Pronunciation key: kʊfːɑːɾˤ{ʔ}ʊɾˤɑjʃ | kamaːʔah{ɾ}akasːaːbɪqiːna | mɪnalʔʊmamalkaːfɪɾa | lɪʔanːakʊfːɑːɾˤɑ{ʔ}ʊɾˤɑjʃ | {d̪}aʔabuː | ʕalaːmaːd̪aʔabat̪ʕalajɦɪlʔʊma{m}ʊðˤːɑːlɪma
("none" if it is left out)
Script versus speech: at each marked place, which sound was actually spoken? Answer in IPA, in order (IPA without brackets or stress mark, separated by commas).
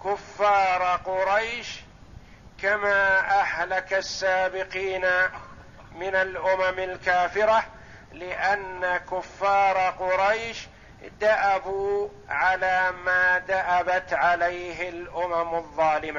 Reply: q, l, q, d̪, m